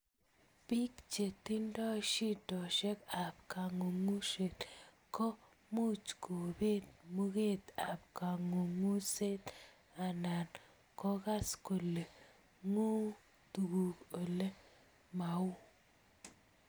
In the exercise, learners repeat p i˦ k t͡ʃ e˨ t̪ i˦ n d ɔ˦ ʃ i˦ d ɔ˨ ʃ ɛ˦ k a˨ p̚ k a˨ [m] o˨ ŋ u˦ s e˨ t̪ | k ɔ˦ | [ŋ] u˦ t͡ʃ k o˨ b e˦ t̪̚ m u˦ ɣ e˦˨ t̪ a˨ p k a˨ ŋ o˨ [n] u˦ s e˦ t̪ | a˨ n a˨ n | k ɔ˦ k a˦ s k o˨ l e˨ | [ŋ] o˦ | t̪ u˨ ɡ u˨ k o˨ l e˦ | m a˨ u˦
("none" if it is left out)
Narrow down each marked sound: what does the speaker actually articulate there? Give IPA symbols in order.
ŋ, m, ŋ, ŋ

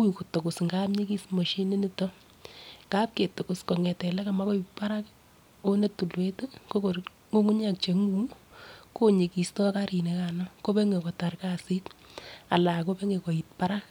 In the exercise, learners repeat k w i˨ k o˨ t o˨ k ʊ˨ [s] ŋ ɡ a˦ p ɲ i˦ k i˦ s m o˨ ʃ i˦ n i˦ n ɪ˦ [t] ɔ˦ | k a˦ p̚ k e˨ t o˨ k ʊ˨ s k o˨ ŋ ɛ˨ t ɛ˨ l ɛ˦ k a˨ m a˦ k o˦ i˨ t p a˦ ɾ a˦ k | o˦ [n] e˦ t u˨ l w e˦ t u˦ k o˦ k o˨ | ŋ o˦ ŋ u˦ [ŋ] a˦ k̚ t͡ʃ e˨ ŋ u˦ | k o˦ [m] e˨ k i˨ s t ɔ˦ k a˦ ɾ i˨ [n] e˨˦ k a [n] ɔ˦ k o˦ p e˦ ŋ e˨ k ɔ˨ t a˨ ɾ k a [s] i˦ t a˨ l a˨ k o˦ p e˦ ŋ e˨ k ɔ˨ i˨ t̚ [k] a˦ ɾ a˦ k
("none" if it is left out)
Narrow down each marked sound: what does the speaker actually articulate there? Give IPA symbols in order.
s, t, n, ɲ, ɲ, n, n, s, p

